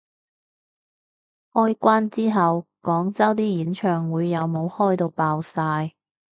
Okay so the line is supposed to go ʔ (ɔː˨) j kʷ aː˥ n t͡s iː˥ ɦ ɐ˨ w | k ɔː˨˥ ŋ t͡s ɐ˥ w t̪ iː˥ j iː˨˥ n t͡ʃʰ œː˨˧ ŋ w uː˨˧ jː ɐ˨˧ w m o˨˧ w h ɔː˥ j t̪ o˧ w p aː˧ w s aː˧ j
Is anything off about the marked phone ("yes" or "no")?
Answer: yes